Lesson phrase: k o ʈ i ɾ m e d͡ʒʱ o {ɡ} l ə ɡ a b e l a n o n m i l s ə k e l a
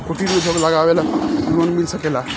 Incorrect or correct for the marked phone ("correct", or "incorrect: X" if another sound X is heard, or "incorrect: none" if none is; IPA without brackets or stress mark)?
correct